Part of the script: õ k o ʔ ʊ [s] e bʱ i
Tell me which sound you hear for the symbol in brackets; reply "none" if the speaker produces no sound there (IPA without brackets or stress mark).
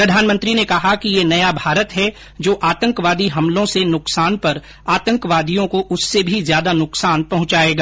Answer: sː